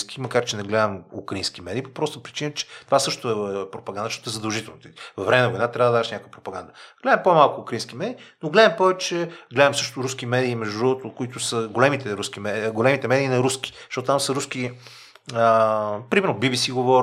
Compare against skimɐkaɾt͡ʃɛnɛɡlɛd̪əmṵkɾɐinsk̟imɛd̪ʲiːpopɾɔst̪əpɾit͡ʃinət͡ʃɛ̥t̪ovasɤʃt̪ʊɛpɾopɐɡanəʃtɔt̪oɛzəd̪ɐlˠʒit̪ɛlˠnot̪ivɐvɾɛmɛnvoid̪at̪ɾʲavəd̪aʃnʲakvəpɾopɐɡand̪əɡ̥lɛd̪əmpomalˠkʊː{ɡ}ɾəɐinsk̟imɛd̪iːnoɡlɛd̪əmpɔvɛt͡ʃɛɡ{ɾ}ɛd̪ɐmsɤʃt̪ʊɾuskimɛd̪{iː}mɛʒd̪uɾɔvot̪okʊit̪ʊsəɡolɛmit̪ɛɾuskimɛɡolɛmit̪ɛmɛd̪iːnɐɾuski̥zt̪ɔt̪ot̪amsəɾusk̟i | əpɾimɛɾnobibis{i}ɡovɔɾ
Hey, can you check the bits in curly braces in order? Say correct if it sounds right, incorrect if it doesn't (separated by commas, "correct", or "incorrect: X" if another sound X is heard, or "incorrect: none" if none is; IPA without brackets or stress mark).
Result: incorrect: k, incorrect: l, correct, correct